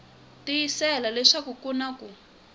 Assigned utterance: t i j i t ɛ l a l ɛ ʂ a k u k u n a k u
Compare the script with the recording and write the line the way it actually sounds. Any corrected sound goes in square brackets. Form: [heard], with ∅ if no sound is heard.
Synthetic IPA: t i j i [s] ɛ l a l ɛ ʂ a k u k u n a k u